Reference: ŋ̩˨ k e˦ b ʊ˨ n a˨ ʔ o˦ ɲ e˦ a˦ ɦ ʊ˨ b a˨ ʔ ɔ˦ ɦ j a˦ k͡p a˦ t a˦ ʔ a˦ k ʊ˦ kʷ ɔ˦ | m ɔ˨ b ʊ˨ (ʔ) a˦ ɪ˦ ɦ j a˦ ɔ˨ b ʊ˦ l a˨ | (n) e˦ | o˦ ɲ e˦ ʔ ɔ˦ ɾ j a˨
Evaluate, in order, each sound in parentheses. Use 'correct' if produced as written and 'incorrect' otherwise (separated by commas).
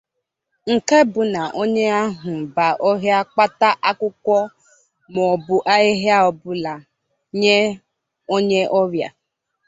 correct, incorrect